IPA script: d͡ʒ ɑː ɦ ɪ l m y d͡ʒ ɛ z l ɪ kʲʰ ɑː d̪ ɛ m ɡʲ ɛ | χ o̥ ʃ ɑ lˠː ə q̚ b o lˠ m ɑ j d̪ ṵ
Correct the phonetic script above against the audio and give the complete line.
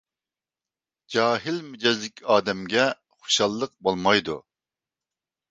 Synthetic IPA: d͡ʒ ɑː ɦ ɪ l m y d͡ʒ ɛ z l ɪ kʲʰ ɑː d̪ ɛ m ɡʲ ɛ | χ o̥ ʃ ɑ lˠː ə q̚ b o lˠ m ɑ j d̪ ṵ